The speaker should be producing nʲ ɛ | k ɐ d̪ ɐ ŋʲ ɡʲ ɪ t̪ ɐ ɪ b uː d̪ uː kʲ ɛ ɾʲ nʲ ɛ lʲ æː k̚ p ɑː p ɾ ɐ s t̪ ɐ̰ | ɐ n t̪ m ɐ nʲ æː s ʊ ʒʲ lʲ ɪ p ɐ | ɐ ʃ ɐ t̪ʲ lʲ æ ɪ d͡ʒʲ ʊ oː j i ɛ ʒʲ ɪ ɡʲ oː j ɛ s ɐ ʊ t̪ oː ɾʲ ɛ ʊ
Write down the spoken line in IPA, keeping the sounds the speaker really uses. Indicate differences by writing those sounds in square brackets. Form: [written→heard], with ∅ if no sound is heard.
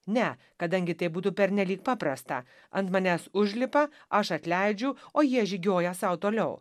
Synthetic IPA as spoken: nʲ ɛ | k ɐ d̪ ɐ ŋʲ ɡʲ ɪ t̪ ɐ ɪ b uː [d̪→t̪] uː [kʲ→pʲ] ɛ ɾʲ nʲ ɛ lʲ [æː→iː] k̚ p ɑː p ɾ ɐ s t̪ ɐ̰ | ɐ n t̪ m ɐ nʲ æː s ʊ ʒʲ lʲ ɪ p ɐ | ɐ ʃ ɐ t̪ʲ lʲ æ ɪ d͡ʒʲ ʊ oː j i ɛ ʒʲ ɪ ɡʲ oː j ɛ s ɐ ʊ t̪ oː [ɾʲ→lʲ] ɛ ʊ